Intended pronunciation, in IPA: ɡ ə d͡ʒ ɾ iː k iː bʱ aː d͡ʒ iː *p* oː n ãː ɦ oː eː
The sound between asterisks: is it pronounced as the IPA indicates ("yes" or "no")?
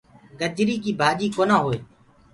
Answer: no